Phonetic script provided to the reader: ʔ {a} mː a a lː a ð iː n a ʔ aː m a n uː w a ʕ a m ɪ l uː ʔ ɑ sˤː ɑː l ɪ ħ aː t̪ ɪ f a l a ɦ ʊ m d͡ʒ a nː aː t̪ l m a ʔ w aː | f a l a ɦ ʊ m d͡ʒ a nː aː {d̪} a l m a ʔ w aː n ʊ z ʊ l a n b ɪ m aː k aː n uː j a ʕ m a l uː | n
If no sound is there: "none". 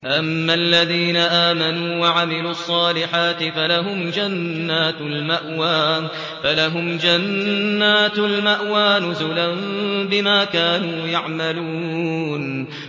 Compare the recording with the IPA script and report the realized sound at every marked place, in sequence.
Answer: a, t̪

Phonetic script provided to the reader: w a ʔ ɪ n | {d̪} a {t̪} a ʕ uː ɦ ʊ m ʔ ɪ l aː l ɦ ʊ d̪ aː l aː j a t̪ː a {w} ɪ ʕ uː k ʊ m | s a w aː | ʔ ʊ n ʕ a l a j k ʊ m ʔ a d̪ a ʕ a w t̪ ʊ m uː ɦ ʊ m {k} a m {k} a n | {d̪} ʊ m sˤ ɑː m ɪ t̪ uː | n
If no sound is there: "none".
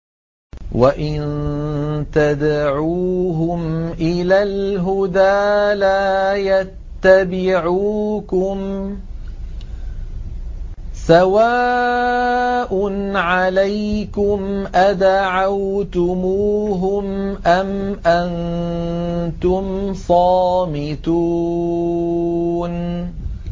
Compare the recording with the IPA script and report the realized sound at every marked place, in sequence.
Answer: t̪, d̪, b, ʔ, ʔ, t̪

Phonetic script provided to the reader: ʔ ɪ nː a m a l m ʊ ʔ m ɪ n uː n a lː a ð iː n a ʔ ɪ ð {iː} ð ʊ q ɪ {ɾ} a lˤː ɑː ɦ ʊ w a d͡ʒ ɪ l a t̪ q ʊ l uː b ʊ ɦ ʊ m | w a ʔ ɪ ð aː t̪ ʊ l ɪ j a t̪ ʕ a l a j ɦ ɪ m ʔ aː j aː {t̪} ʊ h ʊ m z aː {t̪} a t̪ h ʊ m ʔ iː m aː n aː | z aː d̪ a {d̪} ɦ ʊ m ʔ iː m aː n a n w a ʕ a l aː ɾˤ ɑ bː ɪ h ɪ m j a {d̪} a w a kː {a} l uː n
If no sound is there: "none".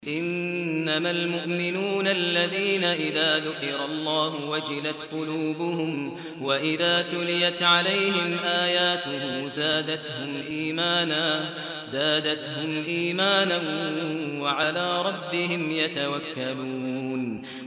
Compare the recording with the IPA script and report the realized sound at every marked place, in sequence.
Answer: aː, ɾ, t̪, d̪, t̪, t̪, a

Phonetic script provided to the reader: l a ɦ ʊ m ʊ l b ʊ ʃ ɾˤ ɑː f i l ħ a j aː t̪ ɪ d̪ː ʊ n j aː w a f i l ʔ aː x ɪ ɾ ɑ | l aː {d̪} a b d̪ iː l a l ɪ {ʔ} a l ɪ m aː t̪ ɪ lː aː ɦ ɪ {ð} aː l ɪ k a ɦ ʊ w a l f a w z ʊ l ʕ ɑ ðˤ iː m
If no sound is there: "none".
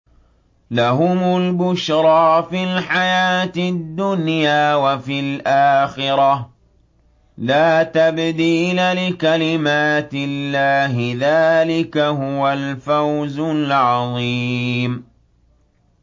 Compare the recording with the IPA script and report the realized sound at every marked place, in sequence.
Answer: t̪, k, ð

